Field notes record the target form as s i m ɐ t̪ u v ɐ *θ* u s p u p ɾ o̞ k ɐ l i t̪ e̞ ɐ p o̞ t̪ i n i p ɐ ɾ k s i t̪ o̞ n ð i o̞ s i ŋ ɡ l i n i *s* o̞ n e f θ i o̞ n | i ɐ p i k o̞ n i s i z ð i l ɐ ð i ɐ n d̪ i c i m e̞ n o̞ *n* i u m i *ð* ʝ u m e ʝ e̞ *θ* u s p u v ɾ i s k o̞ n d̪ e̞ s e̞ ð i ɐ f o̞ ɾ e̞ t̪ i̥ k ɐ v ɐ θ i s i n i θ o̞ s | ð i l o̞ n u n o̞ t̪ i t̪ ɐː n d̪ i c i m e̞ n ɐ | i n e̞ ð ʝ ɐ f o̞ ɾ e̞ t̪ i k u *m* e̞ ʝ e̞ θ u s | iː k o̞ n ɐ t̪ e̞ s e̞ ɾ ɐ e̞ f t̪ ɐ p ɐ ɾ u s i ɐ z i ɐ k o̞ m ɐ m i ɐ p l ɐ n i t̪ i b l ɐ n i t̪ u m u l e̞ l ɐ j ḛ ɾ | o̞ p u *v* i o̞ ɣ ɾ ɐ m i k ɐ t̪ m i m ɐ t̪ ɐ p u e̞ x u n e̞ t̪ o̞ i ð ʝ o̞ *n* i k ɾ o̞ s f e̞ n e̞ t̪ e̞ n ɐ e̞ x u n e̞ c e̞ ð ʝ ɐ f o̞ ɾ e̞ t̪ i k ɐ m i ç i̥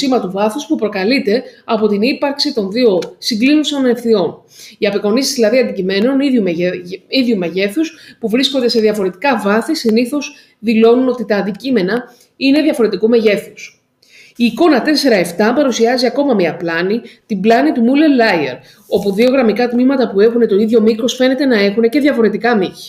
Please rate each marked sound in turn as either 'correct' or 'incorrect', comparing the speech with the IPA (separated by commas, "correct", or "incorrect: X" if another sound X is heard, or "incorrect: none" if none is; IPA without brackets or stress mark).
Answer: correct, correct, correct, correct, correct, correct, incorrect: ð, incorrect: m